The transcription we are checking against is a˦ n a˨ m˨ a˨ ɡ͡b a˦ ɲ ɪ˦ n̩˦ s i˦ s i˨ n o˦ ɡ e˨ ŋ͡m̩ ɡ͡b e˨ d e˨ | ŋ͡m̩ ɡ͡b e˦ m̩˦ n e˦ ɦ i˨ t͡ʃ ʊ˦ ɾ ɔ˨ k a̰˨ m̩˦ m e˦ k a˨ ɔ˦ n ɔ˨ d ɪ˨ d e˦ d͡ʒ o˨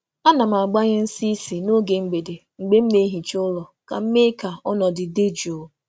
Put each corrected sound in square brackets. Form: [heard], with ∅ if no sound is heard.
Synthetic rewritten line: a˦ n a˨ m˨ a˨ ɡ͡b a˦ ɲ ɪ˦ n̩˦ s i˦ s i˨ n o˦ ɡ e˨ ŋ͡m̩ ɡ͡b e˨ d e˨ | ŋ͡m̩ ɡ͡b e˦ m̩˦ n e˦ ɦ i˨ t͡ʃ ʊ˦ [l] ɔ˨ k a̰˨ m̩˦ m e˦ k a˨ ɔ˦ n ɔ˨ d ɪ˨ d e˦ d͡ʒ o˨